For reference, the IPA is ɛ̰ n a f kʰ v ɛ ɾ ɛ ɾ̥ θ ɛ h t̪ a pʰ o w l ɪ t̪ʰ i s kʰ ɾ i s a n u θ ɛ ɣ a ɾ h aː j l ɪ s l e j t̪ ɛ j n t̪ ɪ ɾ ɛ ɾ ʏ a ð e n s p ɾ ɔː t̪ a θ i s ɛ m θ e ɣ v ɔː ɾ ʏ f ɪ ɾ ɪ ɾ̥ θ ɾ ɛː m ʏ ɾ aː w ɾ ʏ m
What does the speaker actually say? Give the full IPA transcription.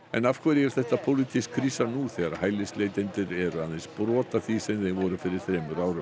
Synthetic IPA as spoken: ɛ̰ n a f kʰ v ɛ ɾ ɛ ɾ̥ θ ɛ h t̪ a pʰ o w l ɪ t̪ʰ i s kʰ ɾ i s a n u θ ɛ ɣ a ɾ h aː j l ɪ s l e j t̪ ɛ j n t̪ ɪ ɾ ɛ ɾ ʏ a ð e n s p ɾ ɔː t̪ a θ i s ɛ m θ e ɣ v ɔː ɾ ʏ f ɪ ɾ ɪ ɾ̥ θ ɾ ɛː m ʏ ɾ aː w ɾ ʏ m